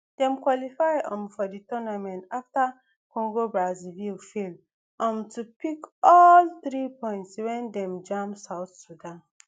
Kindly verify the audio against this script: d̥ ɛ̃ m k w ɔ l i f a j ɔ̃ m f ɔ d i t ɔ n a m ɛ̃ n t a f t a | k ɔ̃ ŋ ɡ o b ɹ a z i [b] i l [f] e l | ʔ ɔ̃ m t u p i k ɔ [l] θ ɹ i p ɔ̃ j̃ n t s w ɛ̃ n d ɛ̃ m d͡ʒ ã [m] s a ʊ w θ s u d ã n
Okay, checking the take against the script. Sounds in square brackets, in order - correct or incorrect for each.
incorrect: v, correct, correct, correct

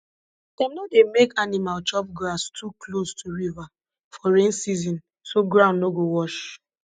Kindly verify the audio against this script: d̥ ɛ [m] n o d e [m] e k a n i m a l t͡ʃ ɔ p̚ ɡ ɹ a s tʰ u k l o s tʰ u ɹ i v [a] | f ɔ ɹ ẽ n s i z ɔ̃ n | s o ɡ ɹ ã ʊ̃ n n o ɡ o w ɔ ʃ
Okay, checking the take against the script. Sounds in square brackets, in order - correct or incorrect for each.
correct, correct, correct

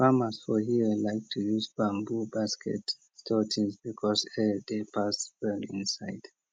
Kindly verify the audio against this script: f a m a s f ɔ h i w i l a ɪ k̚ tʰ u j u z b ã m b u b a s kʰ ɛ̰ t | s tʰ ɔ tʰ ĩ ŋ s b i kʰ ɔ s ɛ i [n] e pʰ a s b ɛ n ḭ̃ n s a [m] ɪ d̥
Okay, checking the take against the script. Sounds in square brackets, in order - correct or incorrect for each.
incorrect: d, incorrect: none

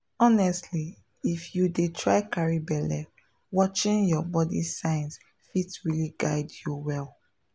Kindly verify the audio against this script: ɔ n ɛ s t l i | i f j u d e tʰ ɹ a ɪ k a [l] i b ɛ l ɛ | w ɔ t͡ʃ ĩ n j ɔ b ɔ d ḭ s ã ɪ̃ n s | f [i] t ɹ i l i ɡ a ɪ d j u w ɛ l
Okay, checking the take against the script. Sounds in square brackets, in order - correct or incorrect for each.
incorrect: ɹ, correct

